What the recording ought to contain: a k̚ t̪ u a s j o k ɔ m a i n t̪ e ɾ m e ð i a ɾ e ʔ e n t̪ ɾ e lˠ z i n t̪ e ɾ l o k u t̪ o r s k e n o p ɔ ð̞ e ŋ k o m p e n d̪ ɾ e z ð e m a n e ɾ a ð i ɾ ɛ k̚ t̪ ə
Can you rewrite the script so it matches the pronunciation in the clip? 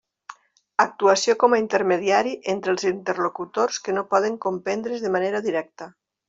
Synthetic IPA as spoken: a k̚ t̪ u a s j o k ɔ m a i n t̪ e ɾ m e ð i a ɾ i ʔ e n t̪ ɾ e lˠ z i n t̪ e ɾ l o k u t̪ o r s k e n o p ɔ ð̞ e ŋ k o m p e n d̪ ɾ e z ð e m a n e ɾ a ð i ɾ ɛ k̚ t̪ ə

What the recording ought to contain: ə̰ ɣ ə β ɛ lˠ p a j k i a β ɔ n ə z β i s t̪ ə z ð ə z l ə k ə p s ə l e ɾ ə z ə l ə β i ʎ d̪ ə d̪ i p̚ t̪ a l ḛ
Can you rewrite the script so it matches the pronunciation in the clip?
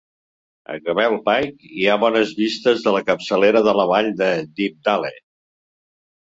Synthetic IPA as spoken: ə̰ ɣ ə β ɛ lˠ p a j k i a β ɔ n ə z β i s t̪ ə z ð ə l ə k ə p s ə l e ɾ ə ð ə l ə β a ʎ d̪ ə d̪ i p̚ d̪ a l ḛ

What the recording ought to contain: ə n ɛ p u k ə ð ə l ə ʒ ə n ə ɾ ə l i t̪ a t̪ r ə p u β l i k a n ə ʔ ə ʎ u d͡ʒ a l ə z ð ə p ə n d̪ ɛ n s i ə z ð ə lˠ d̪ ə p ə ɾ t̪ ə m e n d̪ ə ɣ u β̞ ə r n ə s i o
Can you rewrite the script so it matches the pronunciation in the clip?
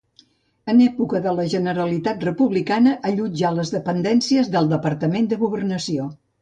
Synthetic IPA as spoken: ə n ɛ p u k ə ð ə l ə ʒ ə n ə ɾ ə l i t̪ a t̪ r ə p u β l i k a n ə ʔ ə ʎ u d͡ʒ a l ə z ð ə p ə n d̪ ɛ n s i ə z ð ə lˠ d̪ ə p ə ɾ t̪ ə m e n d̪ ə ɣ u β̞ ə r n ə s i o

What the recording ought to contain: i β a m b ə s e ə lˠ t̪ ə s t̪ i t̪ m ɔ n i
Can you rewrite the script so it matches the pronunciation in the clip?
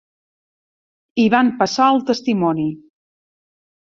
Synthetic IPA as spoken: i β a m p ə s a ə lˠ t̪ ə s t̪ i m ɔ n i

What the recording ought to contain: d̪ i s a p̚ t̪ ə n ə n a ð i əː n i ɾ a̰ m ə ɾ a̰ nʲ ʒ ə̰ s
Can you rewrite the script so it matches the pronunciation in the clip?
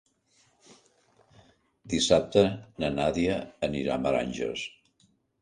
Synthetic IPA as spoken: d̪ i s a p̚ t̪ ə n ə n a ð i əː n i ɾ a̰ m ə ɾ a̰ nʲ ʒ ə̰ s

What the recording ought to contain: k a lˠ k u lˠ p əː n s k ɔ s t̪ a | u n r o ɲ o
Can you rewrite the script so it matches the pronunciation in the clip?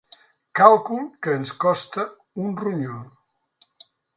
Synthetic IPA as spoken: k a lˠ k u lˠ k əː n s k ɔ s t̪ ə | u n r u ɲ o

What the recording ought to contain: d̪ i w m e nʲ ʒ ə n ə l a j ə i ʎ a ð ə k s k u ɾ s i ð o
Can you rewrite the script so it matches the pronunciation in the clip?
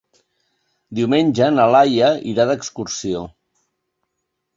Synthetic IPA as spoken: d̪ i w m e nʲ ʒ ə n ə l a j ə i ɾ a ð ə k s k u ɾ s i o

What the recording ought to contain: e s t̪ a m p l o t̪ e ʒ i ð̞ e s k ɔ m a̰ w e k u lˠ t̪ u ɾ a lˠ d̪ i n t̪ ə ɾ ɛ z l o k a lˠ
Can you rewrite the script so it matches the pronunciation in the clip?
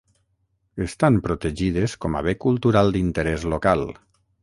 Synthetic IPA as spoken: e s t̪ a m p ɾ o t̪ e ʒ i ð̞ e s k ɔ m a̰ β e k u lˠ t̪ u ɾ a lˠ d̪ i n t̪ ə ɾ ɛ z l o k a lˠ

